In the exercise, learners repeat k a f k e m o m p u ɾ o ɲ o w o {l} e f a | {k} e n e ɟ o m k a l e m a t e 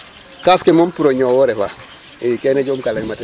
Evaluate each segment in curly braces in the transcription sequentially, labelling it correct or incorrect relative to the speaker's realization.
incorrect, correct

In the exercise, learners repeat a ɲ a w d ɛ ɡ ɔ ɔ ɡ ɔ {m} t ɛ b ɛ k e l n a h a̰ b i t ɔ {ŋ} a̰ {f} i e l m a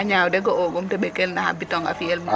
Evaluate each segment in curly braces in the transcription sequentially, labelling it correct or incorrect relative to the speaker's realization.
correct, correct, correct

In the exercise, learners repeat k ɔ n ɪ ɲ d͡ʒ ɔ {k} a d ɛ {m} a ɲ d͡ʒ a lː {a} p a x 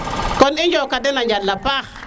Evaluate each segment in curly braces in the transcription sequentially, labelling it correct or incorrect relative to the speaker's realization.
correct, incorrect, correct

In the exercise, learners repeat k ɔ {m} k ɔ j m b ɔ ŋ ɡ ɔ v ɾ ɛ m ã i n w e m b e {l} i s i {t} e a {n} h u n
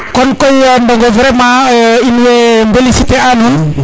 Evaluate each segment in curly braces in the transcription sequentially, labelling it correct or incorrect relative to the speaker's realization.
incorrect, correct, correct, correct

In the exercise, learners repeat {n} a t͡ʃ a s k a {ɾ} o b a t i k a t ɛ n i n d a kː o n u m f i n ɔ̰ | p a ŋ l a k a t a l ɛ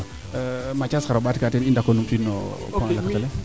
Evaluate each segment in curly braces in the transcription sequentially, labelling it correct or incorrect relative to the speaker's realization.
incorrect, correct

